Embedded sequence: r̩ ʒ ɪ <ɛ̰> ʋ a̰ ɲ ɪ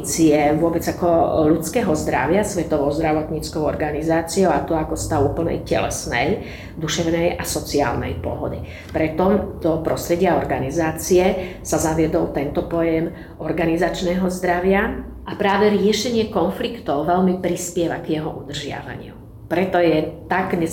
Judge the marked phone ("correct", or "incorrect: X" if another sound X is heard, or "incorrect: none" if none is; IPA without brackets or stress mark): incorrect: a̰